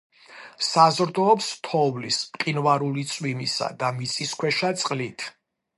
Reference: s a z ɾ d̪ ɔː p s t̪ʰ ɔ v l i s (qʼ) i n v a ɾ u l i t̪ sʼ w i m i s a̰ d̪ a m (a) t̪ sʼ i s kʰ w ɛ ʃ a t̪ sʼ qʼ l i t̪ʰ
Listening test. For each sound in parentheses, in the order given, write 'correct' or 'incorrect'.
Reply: correct, incorrect

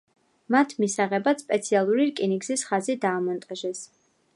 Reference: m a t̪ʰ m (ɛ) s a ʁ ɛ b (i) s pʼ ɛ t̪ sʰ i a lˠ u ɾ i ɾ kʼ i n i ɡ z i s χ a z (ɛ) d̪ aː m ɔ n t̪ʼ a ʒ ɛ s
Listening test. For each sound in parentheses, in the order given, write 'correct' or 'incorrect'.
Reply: incorrect, incorrect, incorrect

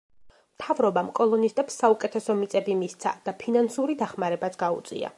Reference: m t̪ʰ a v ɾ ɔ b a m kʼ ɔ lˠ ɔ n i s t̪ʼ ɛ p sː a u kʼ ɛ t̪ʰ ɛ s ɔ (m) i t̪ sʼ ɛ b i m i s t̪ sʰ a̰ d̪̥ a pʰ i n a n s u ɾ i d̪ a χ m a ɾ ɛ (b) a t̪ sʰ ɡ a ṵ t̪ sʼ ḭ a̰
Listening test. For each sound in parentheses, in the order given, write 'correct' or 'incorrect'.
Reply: correct, correct

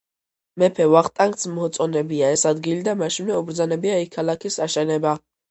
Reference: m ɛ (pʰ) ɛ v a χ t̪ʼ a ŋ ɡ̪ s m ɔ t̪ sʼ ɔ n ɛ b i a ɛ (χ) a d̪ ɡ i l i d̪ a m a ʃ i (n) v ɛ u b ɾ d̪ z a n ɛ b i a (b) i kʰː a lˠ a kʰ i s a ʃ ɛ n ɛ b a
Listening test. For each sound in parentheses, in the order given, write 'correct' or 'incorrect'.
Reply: correct, incorrect, correct, incorrect

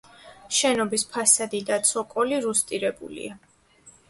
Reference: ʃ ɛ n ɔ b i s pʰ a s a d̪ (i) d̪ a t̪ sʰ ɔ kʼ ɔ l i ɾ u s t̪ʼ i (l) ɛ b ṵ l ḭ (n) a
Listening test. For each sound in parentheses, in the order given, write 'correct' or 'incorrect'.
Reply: correct, incorrect, incorrect

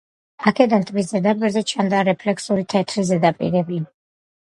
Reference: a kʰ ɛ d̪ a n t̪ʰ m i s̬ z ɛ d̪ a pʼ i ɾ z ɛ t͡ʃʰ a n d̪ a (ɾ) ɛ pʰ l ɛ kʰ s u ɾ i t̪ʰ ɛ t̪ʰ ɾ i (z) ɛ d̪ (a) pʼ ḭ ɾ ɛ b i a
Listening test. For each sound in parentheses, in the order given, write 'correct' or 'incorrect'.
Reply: correct, correct, correct

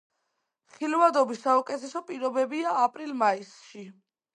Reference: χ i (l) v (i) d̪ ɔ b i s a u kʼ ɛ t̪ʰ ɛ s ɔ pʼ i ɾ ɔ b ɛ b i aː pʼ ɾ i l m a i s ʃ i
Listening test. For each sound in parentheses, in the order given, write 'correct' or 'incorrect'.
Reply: correct, incorrect

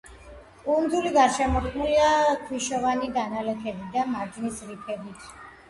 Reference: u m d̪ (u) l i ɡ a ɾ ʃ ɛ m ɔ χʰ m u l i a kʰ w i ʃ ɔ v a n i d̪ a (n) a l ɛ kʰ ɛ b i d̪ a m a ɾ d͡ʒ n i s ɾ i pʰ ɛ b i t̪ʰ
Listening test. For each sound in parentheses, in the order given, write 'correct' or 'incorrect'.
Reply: correct, correct

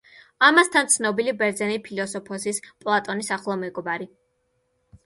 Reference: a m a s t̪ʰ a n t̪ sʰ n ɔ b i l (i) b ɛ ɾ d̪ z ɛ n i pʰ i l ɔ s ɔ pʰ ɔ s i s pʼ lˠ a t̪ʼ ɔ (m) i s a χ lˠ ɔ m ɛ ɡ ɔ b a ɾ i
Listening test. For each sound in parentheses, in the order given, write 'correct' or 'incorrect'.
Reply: correct, incorrect

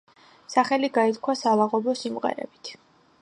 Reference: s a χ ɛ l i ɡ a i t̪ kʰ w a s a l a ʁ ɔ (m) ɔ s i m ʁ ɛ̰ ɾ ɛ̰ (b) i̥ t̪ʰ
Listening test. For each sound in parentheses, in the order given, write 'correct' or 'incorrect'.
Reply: incorrect, correct

